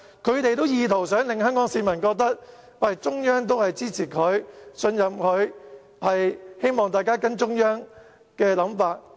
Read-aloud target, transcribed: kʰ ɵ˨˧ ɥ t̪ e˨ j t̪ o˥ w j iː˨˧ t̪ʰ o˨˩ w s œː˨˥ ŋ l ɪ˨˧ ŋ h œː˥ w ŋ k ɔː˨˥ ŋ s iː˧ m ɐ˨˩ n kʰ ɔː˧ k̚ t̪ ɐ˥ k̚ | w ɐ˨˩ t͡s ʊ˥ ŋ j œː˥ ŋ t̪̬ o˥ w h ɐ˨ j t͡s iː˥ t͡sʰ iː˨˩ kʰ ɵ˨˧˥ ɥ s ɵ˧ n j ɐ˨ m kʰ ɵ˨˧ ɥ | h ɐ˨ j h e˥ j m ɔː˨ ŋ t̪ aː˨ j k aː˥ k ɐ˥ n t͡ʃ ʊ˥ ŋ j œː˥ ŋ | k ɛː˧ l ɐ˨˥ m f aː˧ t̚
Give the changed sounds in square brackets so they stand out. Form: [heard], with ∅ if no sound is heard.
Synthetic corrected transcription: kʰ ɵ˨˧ ɥ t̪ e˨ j t̪ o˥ w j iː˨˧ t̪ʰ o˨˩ w s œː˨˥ ŋ l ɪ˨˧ ŋ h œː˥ [∅] ŋ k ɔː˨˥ ŋ s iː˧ m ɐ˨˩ n [k] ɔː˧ k̚ t̪ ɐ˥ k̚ | w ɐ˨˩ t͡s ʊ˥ ŋ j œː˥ ŋ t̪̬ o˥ w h ɐ˨ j t͡s iː˥ t͡sʰ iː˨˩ kʰ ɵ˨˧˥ ɥ s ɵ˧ n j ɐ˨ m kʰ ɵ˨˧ ɥ | h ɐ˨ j h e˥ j m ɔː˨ ŋ t̪ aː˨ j k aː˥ k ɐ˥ n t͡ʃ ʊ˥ ŋ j œː˥ ŋ | k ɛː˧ l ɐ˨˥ m f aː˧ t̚